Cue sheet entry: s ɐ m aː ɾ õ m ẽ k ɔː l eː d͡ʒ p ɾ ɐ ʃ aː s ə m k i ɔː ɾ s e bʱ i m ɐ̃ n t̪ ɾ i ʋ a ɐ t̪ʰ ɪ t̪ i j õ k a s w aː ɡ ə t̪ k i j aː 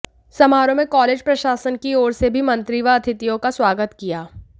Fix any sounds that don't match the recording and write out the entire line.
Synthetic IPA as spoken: s ɐ m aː ɾ õ m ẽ k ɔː l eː d͡ʒ p ɾ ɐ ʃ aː s ə n k i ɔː ɾ s e bʱ i m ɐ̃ n t̪ ɾ i ʋ a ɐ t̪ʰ ɪ t̪ i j õ k a s w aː ɡ ə t̪ k i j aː